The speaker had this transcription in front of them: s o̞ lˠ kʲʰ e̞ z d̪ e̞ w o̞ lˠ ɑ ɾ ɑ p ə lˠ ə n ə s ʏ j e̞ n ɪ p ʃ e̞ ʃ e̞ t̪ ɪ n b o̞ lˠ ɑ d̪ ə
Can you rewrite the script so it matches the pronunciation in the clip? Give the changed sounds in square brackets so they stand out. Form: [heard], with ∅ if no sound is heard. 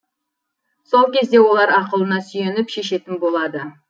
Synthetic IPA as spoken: s o̞ lˠ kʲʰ e̞ z d̪ e̞ w o̞ lˠ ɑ ɾ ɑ [q] ə lˠ ə n [ɑ] s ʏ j e̞ n ɪ p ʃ e̞ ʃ e̞ t̪ ɪ n b o̞ lˠ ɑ d̪ ə